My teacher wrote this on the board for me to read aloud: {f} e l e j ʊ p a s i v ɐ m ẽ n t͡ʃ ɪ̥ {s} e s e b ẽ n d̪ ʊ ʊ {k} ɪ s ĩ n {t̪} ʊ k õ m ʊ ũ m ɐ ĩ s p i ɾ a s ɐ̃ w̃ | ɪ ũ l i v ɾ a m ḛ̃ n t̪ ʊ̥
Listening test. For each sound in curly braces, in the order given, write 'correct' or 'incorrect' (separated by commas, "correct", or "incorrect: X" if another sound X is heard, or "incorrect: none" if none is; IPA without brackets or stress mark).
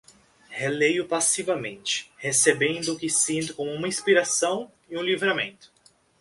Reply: incorrect: h, incorrect: h, correct, correct